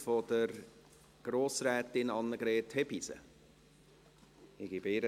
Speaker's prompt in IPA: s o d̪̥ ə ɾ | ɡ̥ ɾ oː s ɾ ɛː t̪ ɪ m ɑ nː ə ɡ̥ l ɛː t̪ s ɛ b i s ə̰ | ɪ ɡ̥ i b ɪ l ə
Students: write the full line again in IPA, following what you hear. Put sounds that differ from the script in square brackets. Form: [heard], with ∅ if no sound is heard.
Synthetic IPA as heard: [f] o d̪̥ ə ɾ | ɡ̥ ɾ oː s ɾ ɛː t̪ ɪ [n] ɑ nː ə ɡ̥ [ɾ] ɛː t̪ [h] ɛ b i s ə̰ | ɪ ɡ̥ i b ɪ [ɾ] ə